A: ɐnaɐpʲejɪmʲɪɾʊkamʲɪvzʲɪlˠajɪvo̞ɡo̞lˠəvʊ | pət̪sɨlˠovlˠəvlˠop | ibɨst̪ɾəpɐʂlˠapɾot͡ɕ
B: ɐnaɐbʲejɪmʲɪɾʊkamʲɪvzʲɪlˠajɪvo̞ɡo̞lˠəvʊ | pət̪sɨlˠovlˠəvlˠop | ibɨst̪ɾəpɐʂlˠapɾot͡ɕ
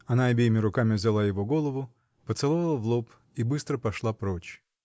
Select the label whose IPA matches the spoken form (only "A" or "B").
B